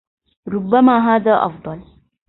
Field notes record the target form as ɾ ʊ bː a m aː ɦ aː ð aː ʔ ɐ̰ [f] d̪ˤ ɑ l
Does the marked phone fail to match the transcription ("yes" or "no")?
no